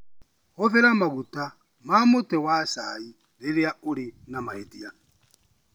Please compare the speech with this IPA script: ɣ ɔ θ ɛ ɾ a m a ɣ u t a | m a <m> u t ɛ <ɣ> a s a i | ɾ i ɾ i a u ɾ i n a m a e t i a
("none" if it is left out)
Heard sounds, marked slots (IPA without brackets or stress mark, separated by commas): m, w